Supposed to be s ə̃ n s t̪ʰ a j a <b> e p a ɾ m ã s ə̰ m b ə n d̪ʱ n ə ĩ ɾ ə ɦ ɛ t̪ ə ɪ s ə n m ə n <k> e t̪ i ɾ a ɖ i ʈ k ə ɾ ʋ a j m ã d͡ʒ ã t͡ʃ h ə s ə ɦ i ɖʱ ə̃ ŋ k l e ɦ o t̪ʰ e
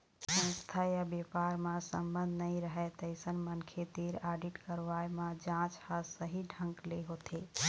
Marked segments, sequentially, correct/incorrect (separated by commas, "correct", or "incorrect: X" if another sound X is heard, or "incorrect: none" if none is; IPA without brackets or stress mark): correct, incorrect: kʰ